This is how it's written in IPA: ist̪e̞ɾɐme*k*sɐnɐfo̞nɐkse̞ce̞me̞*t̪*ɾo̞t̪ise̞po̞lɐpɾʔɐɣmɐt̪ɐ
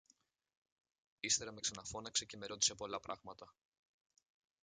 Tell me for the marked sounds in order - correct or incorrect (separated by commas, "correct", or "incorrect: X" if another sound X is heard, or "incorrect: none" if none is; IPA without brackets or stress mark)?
correct, incorrect: none